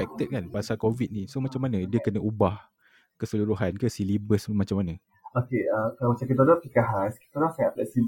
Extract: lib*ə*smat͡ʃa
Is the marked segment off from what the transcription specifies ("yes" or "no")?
no